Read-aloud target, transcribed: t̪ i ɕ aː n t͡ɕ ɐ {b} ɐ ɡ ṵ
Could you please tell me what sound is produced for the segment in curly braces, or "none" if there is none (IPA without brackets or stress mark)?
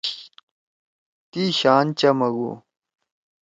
m